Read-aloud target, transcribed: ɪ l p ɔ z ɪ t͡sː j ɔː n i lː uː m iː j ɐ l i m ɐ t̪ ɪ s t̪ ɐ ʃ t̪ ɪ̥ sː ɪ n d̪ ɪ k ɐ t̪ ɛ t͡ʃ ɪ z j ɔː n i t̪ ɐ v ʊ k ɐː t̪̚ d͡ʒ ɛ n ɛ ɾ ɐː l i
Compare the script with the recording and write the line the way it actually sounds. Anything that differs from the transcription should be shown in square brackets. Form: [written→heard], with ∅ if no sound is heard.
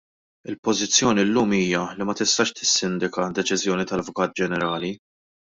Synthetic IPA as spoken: ɪ l p ɔ z ɪ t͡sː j ɔː n i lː uː m iː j ɐ l i m ɐ t̪ ɪ s t̪ ɐ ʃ t̪ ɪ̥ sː ɪ n d̪ ɪ k ɐ [t̪→d̪] ɛ t͡ʃ ɪ z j ɔː n i t̪ ɐ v ʊ k ɐː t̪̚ d͡ʒ ɛ n ɛ ɾ ɐː l i